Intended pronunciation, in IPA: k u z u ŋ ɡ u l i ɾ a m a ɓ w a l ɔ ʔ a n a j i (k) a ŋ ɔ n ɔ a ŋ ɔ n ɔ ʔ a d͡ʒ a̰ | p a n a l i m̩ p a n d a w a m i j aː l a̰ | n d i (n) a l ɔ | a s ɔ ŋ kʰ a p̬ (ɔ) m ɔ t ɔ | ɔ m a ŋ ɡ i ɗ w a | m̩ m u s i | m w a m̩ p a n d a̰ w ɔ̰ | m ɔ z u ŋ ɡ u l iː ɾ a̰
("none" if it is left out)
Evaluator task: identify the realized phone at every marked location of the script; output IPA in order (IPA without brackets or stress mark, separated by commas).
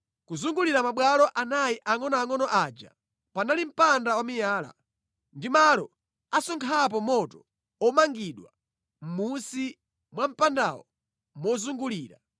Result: ʔ, m, ɔ